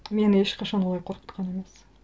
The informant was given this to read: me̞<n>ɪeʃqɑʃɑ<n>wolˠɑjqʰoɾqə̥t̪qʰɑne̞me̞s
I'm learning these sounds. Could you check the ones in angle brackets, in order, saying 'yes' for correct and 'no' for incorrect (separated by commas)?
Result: yes, yes